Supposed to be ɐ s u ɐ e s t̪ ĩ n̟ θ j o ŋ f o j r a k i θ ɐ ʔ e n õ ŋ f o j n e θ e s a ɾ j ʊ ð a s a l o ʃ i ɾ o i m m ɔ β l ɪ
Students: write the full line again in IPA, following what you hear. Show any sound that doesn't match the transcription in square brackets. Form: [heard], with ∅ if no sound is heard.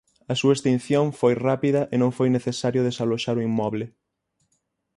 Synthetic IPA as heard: ɐ s u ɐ e s t̪ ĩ n̟ θ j o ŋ f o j r a [p] i [ð] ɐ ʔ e n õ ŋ f o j n e θ e s a ɾ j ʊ ð [e] s a l o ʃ [a] ɾ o i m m ɔ β l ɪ